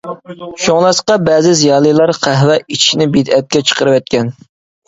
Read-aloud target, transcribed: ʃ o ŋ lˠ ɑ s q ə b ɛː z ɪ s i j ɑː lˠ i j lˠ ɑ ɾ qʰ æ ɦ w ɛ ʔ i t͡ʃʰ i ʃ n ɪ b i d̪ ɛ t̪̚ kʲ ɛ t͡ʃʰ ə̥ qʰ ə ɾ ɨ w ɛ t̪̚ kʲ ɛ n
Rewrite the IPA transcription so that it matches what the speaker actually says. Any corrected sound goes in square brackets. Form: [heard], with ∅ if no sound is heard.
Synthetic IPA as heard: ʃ o ŋ lˠ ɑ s q [ɑ] b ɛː z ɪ [z] i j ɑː lˠ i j lˠ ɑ ɾ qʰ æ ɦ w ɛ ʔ i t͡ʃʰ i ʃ n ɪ b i d̪ ɛ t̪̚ kʲ ɛ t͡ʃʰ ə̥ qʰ ə ɾ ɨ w ɛ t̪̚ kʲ ɛ n